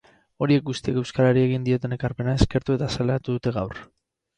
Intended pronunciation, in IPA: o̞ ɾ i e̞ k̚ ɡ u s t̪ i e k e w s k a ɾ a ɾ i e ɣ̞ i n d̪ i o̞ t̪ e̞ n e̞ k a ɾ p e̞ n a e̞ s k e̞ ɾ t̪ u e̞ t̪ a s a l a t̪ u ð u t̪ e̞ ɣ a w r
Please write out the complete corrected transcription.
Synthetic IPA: o̞ ɾ i e̞ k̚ ɡ u s t̪ i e k e w s k a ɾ a ɾ i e ɣ̞ i n d̪ i o̞ t̪ e̞ n e̞ k a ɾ p e̞ n a e̞ s k e̞ ɾ t̪ u e̞ t̪ a s a l a t̪ u ð u t̪ e̞ ɣ a w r